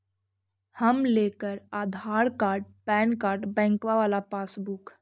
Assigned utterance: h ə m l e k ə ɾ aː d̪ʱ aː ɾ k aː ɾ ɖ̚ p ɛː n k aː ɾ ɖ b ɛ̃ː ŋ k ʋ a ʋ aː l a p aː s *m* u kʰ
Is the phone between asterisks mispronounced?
yes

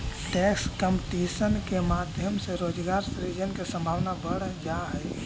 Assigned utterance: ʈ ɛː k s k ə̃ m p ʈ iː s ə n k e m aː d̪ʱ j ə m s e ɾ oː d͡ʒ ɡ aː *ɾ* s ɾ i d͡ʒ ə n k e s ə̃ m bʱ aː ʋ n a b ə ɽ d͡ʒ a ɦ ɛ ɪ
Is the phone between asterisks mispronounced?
no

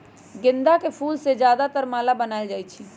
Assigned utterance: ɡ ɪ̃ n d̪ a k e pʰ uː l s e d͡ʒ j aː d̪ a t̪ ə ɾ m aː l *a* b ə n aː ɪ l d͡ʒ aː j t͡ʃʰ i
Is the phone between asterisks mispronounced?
no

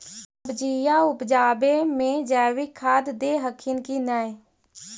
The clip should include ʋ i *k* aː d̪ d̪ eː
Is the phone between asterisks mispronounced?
yes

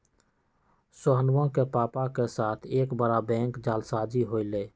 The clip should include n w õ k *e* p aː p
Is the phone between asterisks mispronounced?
no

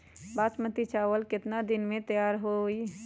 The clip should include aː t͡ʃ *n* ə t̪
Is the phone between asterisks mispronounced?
yes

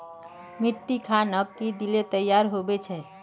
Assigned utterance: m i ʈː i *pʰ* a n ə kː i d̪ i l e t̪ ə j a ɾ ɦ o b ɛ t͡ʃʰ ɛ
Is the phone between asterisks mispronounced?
yes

